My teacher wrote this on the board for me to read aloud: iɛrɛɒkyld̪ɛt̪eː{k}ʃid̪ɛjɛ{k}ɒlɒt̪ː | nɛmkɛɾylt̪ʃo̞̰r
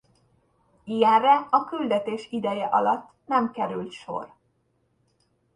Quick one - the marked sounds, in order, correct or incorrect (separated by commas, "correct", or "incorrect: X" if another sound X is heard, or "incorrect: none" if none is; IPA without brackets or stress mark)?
incorrect: none, incorrect: ʔ